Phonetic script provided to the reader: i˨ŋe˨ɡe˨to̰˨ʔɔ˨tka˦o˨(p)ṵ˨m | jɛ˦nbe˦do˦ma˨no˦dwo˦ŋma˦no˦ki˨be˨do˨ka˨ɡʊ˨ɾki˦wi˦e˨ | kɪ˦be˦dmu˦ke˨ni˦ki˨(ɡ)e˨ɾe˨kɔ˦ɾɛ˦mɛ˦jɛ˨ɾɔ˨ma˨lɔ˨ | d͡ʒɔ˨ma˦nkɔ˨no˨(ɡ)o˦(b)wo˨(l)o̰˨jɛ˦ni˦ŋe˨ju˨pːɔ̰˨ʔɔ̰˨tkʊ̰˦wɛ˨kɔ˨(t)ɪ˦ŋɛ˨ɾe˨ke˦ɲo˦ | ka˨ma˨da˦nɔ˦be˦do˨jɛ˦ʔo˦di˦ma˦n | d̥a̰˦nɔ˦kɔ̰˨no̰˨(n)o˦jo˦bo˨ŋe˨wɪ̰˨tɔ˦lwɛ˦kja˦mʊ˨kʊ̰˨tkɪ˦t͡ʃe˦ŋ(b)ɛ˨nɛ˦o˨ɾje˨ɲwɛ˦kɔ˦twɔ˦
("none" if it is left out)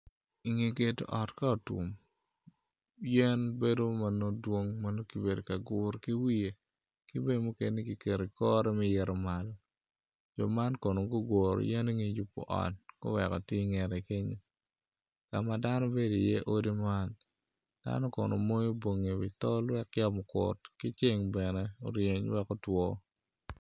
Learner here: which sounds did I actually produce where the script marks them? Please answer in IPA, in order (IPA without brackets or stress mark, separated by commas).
t, k, ɡ, ɡ, ɾ, t, m, b